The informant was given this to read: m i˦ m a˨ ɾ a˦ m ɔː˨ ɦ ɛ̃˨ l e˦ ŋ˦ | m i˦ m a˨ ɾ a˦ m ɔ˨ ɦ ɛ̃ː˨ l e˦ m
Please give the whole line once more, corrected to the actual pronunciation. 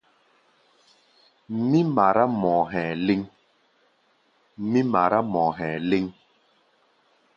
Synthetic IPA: m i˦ m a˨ ɾ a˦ m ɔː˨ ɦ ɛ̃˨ l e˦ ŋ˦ | m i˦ m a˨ ɾ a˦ m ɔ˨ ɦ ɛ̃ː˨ l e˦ ŋ